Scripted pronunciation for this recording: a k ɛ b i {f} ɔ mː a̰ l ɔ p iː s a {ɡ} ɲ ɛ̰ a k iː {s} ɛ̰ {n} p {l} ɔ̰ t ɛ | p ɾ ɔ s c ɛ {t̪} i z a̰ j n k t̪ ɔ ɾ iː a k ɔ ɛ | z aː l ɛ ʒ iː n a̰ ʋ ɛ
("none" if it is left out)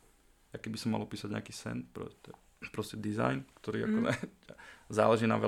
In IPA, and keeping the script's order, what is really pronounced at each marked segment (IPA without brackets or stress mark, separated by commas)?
s, ɟ, s, n, ɾ, d̪